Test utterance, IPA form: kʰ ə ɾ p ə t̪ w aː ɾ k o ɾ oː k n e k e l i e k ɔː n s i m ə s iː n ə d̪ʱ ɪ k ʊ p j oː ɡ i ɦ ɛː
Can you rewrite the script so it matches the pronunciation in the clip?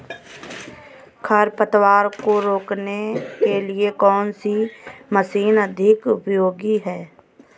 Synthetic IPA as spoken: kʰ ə ɾ p ə t̪ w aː ɾ k o ɾ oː k n e k e l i e k ɔː n s i m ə s iː n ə d̪ʱ ɪ k ʊ p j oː ɡ i ɦ ɛː